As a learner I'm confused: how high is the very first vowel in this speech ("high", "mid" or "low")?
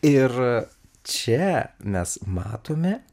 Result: high